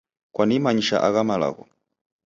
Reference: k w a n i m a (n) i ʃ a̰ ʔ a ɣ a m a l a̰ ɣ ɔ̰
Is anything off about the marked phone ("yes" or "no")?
yes